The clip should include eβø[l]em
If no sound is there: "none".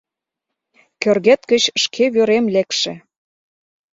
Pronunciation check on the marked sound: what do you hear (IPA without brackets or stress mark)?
ɾ